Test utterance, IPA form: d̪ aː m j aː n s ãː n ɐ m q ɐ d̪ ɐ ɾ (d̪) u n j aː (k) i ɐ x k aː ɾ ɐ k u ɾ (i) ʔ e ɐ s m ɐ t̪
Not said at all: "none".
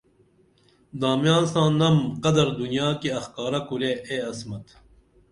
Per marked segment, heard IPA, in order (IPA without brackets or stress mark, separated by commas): d̪, k, e